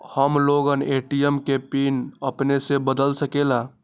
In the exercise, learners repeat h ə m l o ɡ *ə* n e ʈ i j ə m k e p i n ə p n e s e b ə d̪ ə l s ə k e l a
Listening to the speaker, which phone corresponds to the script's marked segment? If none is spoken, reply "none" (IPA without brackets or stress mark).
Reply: ə